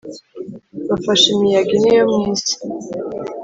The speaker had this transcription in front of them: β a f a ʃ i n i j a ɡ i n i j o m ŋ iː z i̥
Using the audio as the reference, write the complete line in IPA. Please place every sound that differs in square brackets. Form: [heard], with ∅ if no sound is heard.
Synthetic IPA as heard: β a f a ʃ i [m] i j a ɡ i n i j o m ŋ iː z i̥